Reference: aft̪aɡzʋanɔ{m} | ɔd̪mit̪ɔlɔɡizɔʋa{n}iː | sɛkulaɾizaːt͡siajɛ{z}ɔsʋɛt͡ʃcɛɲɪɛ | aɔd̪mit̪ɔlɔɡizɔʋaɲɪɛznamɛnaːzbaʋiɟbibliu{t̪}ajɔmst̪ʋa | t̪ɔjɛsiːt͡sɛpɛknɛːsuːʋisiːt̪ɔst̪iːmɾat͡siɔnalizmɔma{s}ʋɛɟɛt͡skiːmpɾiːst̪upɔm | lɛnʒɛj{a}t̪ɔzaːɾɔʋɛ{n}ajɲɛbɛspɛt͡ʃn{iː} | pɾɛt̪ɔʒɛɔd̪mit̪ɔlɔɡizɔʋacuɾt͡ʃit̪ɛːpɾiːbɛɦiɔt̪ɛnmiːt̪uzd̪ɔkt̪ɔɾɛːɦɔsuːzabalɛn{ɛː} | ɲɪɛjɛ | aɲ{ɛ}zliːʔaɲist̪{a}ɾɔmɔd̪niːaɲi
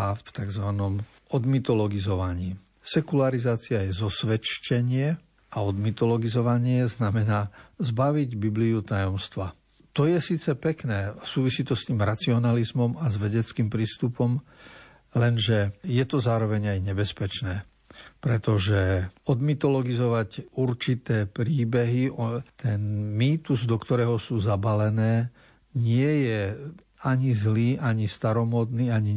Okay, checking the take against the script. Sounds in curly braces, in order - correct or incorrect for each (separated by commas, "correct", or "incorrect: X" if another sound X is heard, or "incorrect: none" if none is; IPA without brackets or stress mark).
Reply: correct, incorrect: ɲ, correct, correct, incorrect: z, incorrect: ɛ, incorrect: ɲ, incorrect: ɛː, correct, incorrect: i, correct